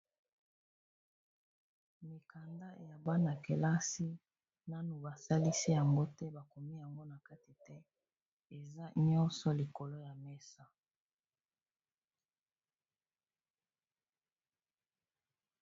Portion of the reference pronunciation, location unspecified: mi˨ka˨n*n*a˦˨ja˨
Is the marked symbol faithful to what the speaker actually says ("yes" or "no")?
no